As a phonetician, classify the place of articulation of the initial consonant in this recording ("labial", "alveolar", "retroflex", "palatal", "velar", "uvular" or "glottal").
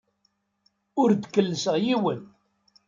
alveolar